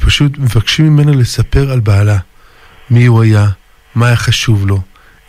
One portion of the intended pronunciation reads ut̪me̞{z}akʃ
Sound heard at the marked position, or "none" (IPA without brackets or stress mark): v